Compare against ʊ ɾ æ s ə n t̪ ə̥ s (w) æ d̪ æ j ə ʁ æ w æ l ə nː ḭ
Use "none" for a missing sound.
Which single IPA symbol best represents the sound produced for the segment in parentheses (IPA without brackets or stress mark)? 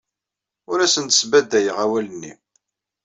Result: b